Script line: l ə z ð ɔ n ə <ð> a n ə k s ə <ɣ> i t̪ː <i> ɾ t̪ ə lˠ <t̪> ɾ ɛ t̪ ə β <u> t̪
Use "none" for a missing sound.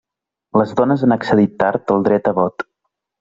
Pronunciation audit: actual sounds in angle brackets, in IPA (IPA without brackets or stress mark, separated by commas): z, ð, a, d̪, ɔ